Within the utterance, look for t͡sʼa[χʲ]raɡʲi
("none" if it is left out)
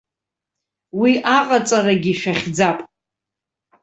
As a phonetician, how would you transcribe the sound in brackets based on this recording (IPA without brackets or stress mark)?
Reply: none